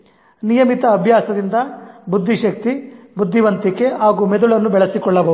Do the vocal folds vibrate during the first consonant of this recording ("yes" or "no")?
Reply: yes